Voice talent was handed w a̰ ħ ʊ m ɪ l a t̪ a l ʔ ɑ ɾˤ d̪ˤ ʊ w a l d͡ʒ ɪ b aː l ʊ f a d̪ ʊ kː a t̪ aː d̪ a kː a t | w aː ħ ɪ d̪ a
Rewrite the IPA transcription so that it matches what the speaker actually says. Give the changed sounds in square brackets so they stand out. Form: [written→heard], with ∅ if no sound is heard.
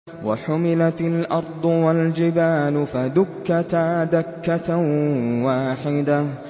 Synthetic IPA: w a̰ ħ ʊ m ɪ l a t̪ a l ʔ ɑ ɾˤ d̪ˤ ʊ w a l d͡ʒ ɪ b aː l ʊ f a d̪ ʊ kː a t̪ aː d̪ a kː a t | w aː ħ ɪ d̪ a